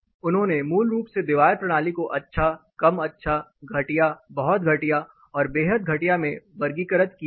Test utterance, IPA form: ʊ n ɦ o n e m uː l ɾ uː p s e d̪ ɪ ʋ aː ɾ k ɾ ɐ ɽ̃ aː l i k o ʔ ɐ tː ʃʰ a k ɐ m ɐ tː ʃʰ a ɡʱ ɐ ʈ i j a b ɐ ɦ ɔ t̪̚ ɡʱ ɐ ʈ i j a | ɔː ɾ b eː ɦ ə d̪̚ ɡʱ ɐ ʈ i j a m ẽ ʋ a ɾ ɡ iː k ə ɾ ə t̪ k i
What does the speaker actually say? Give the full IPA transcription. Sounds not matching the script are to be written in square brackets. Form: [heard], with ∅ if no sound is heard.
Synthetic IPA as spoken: ʊ n ɦ [õ] n e m uː l ɾ uː p s e d̪ ɪ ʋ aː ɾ [p] ɾ ɐ ɽ̃ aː l i k o ʔ ɐ tː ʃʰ a k ɐ m ɐ tː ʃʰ a ɡʱ ɐ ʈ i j a b ɐ ɦ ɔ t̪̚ ɡʱ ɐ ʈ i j a | ɔː ɾ b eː ɦ ə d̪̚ ɡʱ ɐ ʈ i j a m ẽ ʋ [ɐ] ɾ ɡ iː k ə ɾ ə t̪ k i